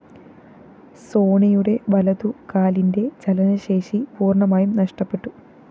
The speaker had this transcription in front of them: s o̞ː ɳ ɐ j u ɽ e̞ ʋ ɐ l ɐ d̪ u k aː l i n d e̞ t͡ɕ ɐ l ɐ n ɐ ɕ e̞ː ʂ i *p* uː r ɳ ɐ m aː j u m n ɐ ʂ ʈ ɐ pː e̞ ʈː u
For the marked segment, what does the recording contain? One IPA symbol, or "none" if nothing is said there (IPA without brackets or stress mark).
p